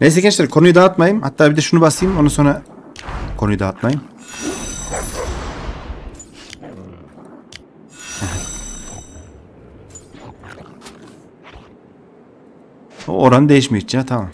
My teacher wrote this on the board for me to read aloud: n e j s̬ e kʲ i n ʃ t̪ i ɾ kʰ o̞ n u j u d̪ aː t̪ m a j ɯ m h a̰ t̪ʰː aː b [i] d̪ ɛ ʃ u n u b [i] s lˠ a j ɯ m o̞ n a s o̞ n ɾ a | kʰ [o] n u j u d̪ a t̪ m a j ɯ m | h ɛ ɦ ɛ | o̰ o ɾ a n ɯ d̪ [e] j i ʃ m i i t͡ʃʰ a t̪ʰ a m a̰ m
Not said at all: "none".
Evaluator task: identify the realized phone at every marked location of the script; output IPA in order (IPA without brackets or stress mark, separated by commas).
i, a, o, e